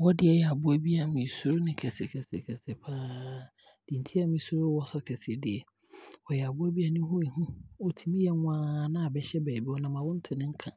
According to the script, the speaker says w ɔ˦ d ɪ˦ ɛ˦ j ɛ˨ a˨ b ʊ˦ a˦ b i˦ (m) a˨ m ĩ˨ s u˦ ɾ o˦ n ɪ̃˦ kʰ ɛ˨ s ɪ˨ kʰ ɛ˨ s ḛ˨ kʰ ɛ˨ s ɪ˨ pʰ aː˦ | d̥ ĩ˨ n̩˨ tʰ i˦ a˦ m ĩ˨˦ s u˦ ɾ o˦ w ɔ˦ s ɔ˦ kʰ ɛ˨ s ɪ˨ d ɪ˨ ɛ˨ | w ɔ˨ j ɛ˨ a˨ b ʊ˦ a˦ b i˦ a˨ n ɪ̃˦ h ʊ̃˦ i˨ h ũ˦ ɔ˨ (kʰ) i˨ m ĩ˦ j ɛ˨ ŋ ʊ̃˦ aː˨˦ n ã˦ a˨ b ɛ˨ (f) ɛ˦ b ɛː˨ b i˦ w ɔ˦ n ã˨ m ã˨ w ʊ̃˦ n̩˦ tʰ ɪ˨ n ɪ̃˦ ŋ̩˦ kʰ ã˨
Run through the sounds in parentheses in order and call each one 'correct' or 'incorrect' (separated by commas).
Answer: incorrect, incorrect, incorrect